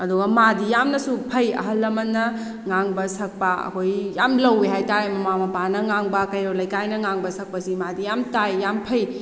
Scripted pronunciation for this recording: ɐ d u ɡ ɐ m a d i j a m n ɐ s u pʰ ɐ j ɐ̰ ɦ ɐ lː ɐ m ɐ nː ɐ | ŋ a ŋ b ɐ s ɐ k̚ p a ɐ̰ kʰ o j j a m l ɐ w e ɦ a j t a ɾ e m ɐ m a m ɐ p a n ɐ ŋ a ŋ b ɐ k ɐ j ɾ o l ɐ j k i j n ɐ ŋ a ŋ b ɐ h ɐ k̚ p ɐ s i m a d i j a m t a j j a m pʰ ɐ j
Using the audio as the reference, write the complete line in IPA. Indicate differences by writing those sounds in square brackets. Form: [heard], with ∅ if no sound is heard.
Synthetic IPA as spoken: ɐ d u ɡ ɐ m a d i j a m n ɐ s u pʰ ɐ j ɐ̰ ɦ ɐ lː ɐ m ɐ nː ɐ | ŋ a ŋ b ɐ s ɐ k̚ p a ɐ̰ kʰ o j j a m l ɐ w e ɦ a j t a ɾ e m ɐ m a m ɐ p a n ɐ ŋ a ŋ b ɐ k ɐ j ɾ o l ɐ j k [a] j n ɐ ŋ a ŋ b ɐ [s] ɐ k̚ p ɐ s i m a d i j a m t a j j a m pʰ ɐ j